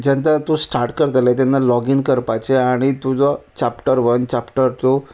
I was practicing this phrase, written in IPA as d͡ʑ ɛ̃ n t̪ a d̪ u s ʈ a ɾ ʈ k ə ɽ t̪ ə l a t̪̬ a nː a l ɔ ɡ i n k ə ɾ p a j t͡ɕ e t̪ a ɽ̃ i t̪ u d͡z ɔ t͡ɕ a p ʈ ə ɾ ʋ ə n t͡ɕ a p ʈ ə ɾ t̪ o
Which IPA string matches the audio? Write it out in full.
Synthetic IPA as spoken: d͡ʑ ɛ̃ n t̪ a t̪ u s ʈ a ɾ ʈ k ə ɾ t̪ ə l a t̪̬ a nː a l ɔ ɡ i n k ə ɾ p a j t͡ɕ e a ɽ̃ i t̪ u d͡z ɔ t͡ɕ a p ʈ ə ɾ ʋ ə n t͡ɕ a p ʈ ə ɾ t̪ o